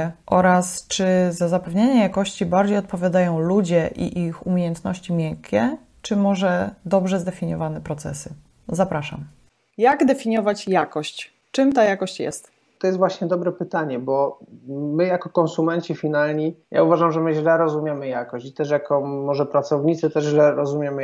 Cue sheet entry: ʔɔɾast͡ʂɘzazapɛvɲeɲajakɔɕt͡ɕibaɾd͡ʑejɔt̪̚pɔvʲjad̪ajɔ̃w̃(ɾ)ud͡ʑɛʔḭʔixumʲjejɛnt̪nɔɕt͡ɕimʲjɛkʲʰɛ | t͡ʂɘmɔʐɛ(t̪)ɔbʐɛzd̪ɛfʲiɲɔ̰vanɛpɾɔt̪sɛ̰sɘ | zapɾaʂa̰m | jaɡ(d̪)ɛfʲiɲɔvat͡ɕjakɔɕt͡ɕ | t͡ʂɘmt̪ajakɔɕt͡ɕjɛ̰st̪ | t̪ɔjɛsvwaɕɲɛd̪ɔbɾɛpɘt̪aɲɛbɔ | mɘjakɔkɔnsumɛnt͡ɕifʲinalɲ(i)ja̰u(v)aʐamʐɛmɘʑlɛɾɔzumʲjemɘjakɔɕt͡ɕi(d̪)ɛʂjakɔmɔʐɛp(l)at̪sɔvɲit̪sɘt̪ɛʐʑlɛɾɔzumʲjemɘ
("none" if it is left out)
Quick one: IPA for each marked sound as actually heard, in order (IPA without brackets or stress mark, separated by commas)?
l, d̪, d̪, i, v, t̪, ɾ